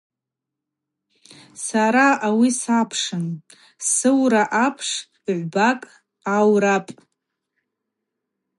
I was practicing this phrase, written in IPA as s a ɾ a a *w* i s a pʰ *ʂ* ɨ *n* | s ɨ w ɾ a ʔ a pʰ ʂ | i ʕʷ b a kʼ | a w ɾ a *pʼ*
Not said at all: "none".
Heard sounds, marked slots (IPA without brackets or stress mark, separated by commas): w, ʂ, n, pʼ